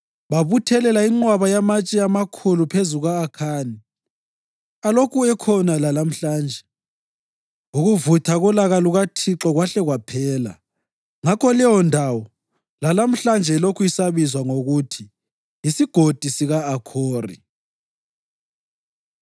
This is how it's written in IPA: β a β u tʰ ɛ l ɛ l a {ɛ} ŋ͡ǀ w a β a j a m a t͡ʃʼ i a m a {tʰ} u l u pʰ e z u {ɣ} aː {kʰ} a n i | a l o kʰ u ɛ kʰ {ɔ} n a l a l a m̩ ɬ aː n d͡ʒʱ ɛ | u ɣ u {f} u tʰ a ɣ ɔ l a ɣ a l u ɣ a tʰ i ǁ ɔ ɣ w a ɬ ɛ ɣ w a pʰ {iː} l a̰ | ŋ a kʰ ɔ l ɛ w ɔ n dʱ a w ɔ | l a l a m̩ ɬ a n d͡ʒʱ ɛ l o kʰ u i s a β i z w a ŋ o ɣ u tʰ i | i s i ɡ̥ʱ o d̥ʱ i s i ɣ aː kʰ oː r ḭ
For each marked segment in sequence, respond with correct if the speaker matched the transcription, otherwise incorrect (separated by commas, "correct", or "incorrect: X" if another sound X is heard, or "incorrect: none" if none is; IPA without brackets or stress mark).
incorrect: i, incorrect: kʰ, correct, correct, correct, incorrect: v, incorrect: ɛː